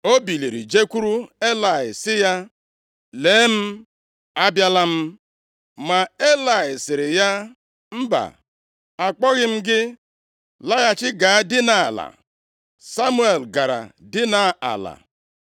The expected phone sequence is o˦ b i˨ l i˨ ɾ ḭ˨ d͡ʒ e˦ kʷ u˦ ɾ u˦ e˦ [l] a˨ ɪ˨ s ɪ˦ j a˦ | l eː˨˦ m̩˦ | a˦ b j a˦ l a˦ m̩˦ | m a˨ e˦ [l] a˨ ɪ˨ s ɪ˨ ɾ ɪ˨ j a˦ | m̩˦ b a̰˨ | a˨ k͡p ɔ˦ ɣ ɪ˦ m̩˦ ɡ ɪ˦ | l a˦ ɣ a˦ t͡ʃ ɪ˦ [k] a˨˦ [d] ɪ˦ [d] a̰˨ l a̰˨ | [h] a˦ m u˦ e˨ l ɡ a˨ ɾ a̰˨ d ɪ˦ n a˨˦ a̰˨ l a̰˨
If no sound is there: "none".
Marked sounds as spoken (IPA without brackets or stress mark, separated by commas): l, l, ɡ, d, n, s